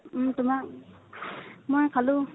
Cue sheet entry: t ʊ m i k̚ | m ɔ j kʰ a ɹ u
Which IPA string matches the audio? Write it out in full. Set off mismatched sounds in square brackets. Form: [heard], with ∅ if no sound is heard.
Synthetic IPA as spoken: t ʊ m [a] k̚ | m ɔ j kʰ a [l] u